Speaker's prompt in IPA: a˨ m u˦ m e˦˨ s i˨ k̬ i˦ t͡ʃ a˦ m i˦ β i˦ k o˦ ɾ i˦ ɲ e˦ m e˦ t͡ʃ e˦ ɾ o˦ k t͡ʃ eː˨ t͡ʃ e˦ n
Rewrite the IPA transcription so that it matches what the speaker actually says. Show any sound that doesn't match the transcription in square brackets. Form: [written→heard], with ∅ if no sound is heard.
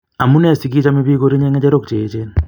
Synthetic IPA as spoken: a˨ m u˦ [m→n] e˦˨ s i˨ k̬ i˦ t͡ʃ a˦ m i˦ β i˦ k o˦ ɾ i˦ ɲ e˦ [m→ŋ] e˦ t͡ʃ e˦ ɾ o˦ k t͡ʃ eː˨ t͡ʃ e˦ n